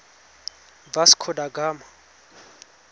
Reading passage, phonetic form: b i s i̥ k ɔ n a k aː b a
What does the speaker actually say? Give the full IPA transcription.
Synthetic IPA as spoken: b a s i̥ kʰ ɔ d a ɡ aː m a